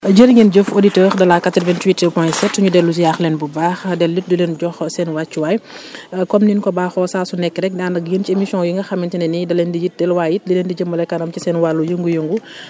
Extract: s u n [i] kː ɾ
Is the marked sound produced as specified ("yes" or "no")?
no